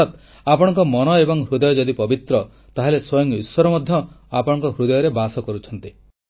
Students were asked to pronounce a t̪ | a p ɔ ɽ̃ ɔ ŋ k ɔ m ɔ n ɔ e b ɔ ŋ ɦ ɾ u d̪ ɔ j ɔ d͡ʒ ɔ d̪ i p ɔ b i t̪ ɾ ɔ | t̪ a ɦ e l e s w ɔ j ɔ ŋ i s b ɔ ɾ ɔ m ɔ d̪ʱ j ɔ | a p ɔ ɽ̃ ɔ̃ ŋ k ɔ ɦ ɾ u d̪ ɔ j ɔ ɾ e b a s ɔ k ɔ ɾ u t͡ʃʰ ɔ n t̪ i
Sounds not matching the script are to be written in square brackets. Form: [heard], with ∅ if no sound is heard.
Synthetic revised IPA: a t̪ | a p ɔ ɽ̃ ɔ ŋ k ɔ m ɔ n ɔ e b ɔ ŋ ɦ ɾ u d̪ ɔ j ɔ d͡ʒ ɔ d̪ i p ɔ b i t̪ ɾ ɔ | t̪ a ɦ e l e s w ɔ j ɔ ŋ i s [w] ɔ ɾ ɔ m ɔ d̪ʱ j ɔ | a p ɔ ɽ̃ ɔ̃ ŋ k ɔ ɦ ɾ u d̪ ɔ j ɔ ɾ e b a s ɔ k ɔ ɾ u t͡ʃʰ ɔ n t̪ i